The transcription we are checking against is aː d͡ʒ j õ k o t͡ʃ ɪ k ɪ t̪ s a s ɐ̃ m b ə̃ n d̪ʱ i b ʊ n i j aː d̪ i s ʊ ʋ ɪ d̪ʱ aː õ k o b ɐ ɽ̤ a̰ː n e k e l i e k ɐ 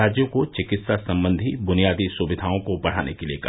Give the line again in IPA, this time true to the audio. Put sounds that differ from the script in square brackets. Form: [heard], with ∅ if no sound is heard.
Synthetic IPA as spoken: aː d͡ʒ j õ k o t͡ʃ ɪ k ɪ t̪ s a s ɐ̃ m b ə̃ n d̪ʱ i b ʊ n i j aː d̪ i s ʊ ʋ ɪ d̪ʱ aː õ k o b ɐ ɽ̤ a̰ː n e k e l i e k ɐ